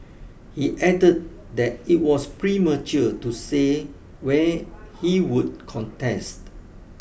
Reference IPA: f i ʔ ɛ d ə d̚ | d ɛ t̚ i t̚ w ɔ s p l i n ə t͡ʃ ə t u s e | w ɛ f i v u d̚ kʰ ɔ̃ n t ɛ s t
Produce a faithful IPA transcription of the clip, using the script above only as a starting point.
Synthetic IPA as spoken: h i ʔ ɛ d ə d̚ | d ɛ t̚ i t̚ w ɔ s p ɹ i m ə t͡ʃ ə t u s e | w ɛ h i w u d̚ kʰ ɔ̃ n t ɛ s t